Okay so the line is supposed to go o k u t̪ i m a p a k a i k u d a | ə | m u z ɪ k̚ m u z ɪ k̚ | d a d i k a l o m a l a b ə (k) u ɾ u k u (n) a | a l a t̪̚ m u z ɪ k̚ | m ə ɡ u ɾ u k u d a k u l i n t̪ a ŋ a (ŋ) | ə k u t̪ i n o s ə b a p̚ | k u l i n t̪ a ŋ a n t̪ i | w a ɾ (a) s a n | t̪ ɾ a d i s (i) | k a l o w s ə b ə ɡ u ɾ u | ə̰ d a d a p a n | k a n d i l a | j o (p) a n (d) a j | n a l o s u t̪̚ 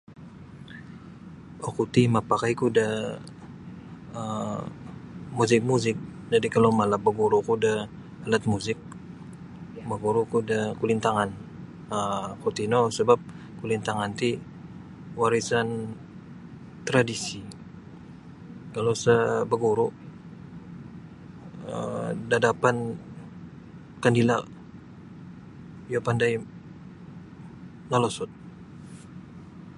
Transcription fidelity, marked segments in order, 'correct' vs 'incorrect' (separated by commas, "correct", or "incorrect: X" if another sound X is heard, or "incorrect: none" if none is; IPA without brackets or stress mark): incorrect: ɡ, incorrect: d, incorrect: n, incorrect: i, correct, correct, correct